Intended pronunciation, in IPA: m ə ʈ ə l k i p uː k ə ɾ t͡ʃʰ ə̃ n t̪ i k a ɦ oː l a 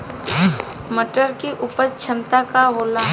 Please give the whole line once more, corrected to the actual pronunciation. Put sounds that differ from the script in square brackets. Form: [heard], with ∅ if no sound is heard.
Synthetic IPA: m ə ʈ ə [ɾ] k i [ʔ] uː [p] ə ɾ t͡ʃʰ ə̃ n t̪ [a] k a ɦ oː l a